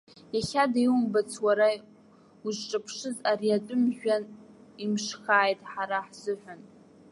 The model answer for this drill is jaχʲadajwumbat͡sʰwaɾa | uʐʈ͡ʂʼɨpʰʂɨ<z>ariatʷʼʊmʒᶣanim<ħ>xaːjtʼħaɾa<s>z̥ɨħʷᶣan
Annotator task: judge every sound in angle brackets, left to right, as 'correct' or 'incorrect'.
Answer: correct, incorrect, incorrect

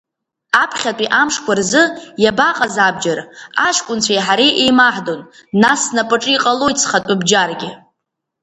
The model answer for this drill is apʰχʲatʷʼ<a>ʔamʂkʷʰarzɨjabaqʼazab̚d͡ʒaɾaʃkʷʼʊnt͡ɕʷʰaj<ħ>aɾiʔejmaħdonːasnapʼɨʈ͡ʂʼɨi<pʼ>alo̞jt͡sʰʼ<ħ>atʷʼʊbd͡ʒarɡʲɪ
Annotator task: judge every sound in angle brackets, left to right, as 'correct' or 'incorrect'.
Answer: incorrect, correct, incorrect, incorrect

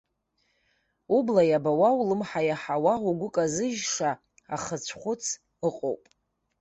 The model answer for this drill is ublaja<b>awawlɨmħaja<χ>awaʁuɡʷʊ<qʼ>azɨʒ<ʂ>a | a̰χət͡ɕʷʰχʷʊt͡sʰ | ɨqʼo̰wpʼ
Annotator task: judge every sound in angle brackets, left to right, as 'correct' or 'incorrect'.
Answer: correct, incorrect, incorrect, correct

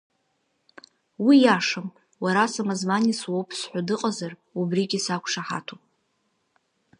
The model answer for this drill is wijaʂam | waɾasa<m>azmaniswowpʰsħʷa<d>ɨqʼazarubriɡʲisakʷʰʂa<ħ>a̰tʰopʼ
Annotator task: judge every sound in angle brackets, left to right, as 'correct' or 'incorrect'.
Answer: correct, correct, correct

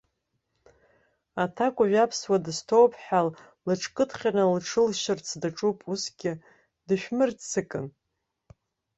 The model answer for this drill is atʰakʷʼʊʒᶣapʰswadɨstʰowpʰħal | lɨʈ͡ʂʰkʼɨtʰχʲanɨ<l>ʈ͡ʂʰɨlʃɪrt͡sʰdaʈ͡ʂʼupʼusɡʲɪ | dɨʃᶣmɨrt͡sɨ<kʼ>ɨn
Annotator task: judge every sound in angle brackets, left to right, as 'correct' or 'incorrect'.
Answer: correct, correct

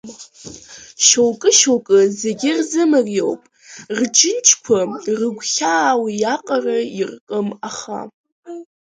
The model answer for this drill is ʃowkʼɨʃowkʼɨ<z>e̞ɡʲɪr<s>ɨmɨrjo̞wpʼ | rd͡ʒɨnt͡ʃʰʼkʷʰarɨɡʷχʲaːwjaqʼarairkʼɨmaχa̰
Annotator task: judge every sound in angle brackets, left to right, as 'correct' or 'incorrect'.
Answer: correct, incorrect

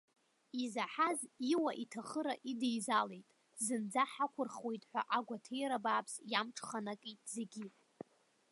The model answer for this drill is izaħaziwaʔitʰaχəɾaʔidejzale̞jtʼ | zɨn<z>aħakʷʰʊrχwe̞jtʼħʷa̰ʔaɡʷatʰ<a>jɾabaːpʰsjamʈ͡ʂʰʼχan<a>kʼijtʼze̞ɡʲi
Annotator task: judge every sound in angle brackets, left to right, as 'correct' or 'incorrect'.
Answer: incorrect, incorrect, correct

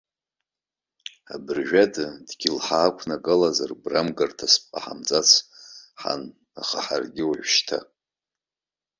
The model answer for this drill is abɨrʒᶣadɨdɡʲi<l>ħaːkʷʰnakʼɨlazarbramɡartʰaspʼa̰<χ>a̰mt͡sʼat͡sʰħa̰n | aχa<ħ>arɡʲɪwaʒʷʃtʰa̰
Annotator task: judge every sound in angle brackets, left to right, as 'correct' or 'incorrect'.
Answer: correct, incorrect, correct

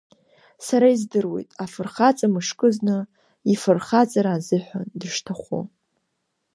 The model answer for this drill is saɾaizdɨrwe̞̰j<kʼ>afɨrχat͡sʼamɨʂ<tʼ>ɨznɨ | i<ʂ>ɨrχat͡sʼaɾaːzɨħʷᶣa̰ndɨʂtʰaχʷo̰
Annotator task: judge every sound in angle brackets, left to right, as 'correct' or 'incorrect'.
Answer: incorrect, incorrect, incorrect

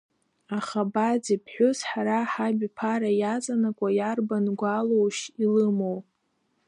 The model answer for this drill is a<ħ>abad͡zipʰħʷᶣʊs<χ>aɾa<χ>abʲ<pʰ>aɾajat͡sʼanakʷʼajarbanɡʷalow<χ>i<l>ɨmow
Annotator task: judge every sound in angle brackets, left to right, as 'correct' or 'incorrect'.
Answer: incorrect, incorrect, incorrect, correct, incorrect, correct

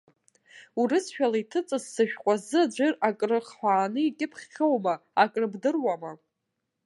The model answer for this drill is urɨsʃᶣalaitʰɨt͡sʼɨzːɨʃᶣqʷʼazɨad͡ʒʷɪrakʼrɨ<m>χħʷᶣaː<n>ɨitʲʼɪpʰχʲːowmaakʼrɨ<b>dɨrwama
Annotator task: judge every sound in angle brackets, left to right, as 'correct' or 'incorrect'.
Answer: incorrect, correct, correct

